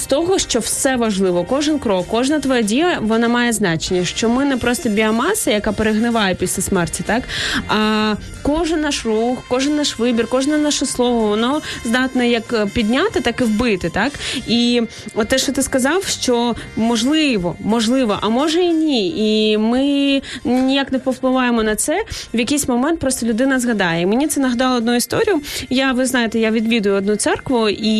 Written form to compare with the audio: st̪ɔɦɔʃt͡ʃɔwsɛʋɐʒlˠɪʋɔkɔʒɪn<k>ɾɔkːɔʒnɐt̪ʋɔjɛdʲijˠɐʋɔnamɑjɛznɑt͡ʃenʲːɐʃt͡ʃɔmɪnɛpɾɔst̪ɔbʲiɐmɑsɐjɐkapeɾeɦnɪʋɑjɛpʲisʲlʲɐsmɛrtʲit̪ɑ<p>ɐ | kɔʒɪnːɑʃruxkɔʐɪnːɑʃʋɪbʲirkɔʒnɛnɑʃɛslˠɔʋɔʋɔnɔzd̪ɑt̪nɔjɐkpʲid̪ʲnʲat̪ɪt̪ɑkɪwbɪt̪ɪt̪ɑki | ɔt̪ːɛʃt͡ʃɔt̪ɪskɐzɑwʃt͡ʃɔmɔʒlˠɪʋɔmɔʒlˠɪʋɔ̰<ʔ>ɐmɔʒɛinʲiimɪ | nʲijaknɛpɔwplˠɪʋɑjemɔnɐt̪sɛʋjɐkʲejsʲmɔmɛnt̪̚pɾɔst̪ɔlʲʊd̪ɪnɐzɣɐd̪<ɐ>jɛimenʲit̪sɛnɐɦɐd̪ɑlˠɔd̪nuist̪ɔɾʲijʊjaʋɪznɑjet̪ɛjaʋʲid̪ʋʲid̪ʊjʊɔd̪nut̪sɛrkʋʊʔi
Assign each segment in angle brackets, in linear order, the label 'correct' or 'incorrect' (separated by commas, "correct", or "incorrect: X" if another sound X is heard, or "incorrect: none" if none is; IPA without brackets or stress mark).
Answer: correct, incorrect: k, correct, incorrect: ɑ